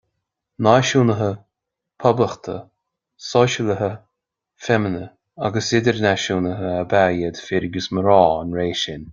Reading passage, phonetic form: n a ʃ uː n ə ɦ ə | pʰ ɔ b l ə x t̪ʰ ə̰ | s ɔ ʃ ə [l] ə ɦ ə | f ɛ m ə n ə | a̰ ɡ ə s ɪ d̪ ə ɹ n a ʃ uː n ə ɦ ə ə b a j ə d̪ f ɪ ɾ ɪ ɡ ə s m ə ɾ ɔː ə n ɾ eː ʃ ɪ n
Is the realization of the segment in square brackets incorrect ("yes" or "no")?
no